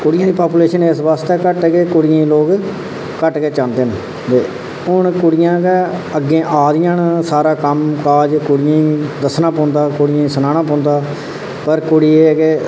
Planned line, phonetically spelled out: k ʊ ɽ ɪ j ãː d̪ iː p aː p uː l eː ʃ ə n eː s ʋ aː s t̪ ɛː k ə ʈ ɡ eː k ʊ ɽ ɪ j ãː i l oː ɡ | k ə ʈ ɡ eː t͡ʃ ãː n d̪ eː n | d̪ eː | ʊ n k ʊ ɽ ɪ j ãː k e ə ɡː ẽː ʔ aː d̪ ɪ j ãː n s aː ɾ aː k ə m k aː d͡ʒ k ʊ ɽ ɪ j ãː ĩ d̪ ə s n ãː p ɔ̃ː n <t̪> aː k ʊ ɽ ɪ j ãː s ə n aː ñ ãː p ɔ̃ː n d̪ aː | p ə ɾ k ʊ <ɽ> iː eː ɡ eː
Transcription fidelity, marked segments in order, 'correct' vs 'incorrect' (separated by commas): incorrect, correct